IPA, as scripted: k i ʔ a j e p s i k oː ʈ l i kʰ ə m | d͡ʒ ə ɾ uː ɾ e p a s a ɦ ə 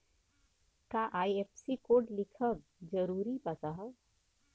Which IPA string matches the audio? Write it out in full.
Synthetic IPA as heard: k a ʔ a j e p s i k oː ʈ l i kʰ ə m | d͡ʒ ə ɾ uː ɾ i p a s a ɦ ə